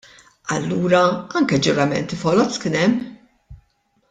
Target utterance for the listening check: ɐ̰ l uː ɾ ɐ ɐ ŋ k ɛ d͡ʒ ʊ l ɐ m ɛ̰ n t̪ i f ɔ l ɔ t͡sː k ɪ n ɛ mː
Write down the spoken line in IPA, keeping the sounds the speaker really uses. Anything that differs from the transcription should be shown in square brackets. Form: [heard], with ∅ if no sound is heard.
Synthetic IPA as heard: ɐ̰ [lː] uː ɾ ɐ ɐ ŋ k ɛ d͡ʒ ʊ [ɾ] ɐ m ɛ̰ n t̪ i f ɔ l ɔ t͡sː k ɪ n ɛ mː